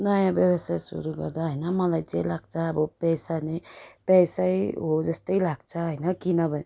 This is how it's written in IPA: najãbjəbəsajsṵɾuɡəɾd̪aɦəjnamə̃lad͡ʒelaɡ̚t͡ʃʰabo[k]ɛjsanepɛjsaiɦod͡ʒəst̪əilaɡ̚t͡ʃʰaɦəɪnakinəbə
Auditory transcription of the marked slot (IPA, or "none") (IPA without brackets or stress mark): p